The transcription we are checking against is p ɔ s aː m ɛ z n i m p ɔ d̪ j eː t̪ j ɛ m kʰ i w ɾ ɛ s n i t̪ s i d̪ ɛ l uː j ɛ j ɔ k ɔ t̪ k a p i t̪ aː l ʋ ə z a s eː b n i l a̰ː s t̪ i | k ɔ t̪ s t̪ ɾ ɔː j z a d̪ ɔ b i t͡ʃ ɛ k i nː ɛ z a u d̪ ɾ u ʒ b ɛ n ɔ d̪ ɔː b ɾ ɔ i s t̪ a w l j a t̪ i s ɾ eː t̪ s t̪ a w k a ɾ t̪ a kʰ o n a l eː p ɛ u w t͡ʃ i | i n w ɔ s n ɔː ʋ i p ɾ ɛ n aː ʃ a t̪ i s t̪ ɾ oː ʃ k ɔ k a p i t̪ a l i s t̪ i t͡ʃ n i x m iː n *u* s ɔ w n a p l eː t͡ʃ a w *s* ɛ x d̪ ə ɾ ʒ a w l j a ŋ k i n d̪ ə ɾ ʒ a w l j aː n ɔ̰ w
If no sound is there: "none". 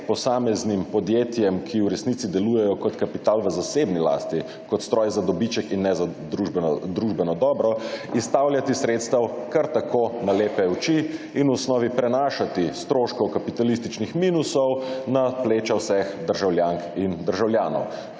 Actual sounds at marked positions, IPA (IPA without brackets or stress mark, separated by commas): u, s